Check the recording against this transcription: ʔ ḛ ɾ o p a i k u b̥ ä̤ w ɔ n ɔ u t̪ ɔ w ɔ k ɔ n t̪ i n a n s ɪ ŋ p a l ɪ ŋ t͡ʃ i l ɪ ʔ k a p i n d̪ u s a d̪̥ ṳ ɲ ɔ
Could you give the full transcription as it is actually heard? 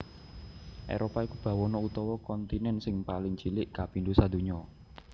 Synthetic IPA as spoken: ʔ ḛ ɾ o p a i k u b̥ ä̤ w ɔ n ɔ u t̪ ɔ w ɔ k ɔ n t̪ i n ɛ n s ɪ ŋ p a l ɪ ŋ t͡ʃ i l ɪ ʔ k a p i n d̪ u s a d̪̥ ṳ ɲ ɔ

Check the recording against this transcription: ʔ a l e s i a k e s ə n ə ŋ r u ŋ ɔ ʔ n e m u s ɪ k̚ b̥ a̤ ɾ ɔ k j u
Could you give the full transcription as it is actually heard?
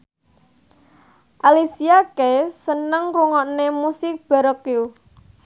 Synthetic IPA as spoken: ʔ a l i s i a k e s ə n ə ŋ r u ŋ ɔ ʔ n e m u s ɪ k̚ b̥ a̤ ɾ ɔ k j u

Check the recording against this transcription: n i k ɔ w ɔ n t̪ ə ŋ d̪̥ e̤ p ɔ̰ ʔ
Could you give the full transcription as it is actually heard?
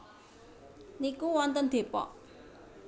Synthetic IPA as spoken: n i k u w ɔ n t̪ ə n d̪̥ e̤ p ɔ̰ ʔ

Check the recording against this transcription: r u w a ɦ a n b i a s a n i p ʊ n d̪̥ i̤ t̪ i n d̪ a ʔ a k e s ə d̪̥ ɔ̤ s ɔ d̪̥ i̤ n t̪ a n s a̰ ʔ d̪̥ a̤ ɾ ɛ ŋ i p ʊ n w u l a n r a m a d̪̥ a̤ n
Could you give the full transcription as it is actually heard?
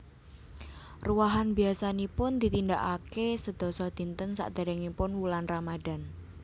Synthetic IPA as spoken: r u w a ɦ a n b i a s a n i p ʊ n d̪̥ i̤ t̪ i n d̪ a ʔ a k e s ə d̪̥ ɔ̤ s ɔ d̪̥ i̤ n t̪ ə n s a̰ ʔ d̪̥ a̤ ɾ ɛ ŋ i p ʊ n w u l a n r a m a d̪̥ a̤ n

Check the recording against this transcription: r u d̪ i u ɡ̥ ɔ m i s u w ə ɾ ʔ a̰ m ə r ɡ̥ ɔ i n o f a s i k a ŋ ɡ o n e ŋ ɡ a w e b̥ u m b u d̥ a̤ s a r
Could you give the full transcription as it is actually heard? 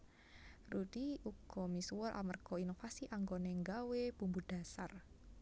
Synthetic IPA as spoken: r u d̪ i u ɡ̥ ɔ m i s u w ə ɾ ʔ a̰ m ə r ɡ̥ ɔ i n o f a s i ʔ a ŋ ɡ o n e ŋ ɡ a w e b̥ u m b u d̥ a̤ s a r

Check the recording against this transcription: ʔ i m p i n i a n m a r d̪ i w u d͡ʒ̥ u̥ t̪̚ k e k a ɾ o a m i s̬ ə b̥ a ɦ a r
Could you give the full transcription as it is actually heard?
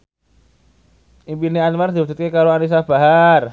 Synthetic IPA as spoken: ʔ i m p i n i a n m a r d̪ i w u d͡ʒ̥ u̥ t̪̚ k e k a ɾ o a n i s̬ a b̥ a ɦ a r

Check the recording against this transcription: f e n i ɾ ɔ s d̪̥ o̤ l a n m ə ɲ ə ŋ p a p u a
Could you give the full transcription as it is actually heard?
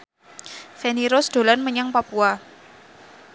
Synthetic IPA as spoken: f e n i ɾ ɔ s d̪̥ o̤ l a n m ə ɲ a ŋ p a p u a

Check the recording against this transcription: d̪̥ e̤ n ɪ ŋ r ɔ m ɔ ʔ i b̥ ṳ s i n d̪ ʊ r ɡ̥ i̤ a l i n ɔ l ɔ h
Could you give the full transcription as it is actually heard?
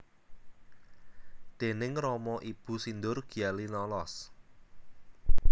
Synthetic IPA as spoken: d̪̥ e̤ n ɪ ŋ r ɔ m ɔ ʔ i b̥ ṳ s i n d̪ ʊ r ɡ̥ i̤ a l i n ɔ l ɔ s

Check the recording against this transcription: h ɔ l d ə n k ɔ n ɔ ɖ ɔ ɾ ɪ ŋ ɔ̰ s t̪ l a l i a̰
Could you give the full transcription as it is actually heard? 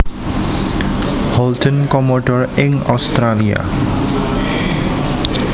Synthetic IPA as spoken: h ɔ l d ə n k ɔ m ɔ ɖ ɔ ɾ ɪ ŋ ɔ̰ s t̪ ɾ a l i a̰

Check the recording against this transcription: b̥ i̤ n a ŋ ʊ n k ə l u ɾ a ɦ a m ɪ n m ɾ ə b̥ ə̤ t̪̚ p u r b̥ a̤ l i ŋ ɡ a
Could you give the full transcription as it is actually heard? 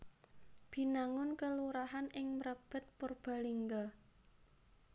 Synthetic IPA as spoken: b̥ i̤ n a ŋ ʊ n k ə l u ɾ a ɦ a n ɪ ŋ m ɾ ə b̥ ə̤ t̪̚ p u r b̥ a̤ l i ŋ ɡ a

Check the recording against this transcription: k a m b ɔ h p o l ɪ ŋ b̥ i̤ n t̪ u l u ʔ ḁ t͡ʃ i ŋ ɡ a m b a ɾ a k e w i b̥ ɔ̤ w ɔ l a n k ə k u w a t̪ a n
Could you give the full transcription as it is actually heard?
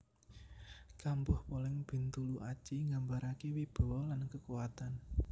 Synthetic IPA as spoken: k a m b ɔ h p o l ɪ ŋ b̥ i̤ n t̪ u l u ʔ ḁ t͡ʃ i ŋ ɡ a m b a ɾ a k e w i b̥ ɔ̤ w ɔ l a n k ə k u w a t̪ a n

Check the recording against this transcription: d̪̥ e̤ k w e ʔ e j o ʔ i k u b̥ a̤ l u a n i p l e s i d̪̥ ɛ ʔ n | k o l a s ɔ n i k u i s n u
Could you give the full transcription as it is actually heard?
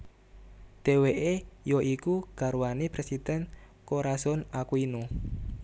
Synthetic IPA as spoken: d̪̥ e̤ w e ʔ e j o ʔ i k u ɡ̥ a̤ ɾ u a n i p ɾ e s i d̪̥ ɛ n | k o ɾ a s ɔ n a k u i n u

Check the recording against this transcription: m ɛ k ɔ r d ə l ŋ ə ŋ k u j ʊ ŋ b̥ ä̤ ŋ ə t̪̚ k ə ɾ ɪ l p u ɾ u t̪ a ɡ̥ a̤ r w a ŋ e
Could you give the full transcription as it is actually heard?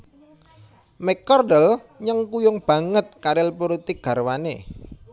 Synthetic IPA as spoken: m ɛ k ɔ r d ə l ɲ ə ŋ k u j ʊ ŋ b̥ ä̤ ŋ ə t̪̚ k a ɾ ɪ l p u ɾ u t̪ i ɡ̥ a̤ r w a n e

